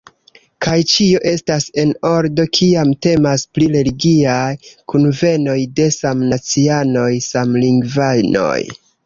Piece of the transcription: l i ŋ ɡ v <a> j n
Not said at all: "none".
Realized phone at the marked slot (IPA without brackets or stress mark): a